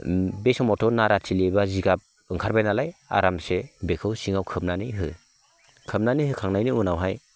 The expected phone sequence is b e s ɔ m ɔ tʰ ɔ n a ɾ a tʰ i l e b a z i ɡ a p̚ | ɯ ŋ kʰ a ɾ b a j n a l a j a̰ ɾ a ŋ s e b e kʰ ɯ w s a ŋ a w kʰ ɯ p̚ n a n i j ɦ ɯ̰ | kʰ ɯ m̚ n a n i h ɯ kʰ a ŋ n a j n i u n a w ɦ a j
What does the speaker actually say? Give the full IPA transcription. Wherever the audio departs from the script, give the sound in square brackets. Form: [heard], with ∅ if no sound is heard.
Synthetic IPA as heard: b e s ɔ m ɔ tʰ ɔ n a ɾ a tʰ i l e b a z i ɡ a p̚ | ɯ ŋ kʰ a ɾ b a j n a l a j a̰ ɾ a [m] s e b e kʰ ɯ w s [i] ŋ a w kʰ ɯ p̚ n a n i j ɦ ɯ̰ | kʰ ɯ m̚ n a n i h ɯ kʰ a ŋ n a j n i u n a w ɦ a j

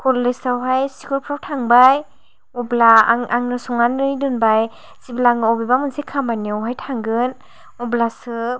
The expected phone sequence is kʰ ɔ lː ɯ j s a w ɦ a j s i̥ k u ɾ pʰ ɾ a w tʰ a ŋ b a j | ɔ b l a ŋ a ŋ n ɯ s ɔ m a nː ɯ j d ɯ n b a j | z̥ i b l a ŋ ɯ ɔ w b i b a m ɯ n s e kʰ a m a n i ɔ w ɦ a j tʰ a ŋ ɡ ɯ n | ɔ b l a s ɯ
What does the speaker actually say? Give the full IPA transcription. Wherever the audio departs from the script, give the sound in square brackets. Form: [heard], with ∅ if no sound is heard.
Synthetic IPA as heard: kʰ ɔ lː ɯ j s a w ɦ a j s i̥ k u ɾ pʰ ɾ a w tʰ a ŋ b a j | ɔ b l a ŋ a ŋ n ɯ s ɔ [ŋ] a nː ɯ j d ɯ n b a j | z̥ i b l a ŋ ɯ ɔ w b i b a m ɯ n s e kʰ a m a n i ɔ w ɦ a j tʰ a ŋ ɡ ɯ n | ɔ b l a s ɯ

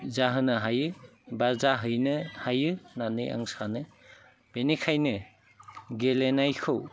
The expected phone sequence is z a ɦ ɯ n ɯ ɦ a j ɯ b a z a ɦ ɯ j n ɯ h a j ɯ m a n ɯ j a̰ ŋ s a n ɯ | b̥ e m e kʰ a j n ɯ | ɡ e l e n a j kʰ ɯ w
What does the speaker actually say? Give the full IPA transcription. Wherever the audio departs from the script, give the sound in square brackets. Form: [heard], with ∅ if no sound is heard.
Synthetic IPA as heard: z a ɦ ɯ n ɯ ɦ a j ɯ b a z a ɦ ɯ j n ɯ h a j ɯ [n] a n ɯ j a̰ ŋ s a n ɯ | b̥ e [n] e kʰ a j n ɯ | ɡ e l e n a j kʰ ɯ w

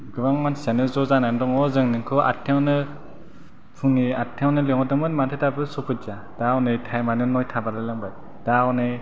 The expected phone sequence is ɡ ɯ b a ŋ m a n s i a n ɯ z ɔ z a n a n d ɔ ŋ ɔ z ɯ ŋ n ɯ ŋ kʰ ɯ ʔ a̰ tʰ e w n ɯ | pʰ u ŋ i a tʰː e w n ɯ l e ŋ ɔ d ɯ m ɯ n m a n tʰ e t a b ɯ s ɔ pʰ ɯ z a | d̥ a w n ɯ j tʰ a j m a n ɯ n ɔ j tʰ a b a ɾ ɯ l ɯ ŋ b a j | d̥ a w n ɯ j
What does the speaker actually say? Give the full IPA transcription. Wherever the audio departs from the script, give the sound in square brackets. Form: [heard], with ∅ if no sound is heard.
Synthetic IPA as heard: ɡ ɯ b a ŋ m a n s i a n ɯ z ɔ z a n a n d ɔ ŋ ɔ z ɯ ŋ n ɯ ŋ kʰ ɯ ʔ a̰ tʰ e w n ɯ | pʰ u ŋ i a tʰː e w n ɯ l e ŋ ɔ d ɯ m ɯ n m a n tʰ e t a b ɯ s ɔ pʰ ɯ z a | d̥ a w n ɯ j tʰ a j m a n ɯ n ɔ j tʰ a b a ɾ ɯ l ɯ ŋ b a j | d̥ a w n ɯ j

